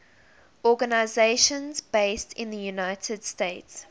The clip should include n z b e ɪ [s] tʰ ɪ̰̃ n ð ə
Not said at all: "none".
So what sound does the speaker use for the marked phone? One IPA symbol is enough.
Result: s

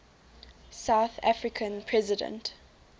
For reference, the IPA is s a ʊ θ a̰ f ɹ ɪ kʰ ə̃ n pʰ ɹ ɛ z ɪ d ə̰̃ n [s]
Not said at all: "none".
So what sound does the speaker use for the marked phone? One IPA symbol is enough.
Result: t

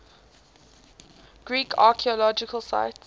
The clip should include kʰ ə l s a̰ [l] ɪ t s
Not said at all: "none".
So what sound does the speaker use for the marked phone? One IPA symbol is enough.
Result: none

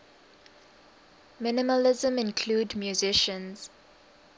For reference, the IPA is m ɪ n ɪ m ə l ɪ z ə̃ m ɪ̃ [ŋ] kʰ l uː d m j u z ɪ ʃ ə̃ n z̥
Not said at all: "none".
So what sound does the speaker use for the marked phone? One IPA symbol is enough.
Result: n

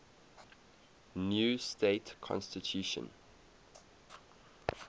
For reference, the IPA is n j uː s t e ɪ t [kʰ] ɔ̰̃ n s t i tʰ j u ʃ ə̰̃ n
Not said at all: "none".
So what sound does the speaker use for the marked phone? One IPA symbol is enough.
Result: kʰ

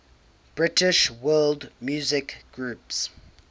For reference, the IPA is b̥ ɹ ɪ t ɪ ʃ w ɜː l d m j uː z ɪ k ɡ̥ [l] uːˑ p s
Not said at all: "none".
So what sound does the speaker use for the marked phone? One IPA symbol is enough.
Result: ɹ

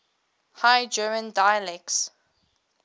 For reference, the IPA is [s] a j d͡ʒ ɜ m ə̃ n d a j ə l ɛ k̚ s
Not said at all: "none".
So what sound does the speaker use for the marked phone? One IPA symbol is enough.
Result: h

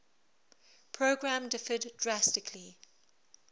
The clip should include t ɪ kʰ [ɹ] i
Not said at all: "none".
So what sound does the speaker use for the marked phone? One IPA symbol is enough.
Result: l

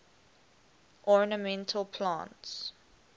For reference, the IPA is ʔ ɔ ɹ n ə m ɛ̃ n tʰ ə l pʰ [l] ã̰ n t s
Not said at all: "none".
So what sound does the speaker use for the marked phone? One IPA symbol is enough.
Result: l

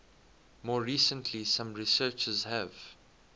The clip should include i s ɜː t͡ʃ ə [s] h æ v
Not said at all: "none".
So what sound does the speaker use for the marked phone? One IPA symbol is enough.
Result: z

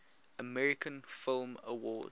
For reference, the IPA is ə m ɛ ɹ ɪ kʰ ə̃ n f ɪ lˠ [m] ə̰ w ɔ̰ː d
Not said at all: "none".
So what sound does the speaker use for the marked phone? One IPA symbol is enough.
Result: m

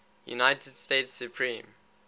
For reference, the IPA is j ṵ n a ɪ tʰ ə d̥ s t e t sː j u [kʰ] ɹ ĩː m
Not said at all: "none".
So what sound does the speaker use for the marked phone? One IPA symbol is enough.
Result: pʰ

